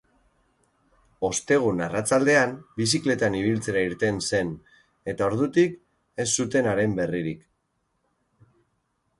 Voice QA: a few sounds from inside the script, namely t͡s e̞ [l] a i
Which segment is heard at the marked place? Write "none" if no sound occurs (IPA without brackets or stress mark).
ɾ